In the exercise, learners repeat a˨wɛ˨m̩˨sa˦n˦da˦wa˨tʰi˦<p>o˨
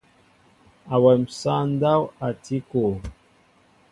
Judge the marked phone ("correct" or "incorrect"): incorrect